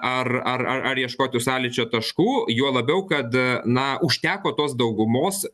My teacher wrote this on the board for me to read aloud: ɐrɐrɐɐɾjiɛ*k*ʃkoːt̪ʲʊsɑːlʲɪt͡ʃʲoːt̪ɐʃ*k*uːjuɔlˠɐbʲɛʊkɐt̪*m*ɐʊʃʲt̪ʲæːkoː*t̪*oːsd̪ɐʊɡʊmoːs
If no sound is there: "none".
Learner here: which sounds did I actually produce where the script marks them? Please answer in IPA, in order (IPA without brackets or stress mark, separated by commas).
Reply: none, k, n, t̪